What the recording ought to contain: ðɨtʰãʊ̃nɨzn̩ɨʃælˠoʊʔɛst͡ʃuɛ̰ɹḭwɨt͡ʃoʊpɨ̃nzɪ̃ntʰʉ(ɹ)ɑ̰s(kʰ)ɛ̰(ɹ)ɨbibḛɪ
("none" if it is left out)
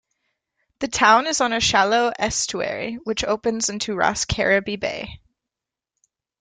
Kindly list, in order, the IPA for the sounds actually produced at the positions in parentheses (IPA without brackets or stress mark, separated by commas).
ɹ, kʰ, ɹ